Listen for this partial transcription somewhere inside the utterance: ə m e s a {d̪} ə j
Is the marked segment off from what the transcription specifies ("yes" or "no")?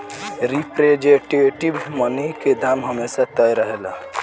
yes